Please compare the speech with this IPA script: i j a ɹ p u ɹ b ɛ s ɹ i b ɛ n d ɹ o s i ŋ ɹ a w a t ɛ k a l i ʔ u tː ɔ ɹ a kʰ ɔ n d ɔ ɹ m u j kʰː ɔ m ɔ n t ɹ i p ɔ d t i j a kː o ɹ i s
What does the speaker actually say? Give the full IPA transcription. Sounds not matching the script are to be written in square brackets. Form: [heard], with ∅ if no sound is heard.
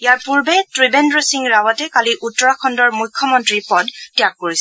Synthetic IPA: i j a ɹ p u ɹ b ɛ [t] ɹ i b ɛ n d ɹ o s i ŋ ɹ a w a t ɛ k a l i ʔ u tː ɔ ɹ a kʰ ɔ n d ɔ ɹ m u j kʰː ɔ m ɔ n t ɹ i p ɔ d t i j a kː o ɹ i s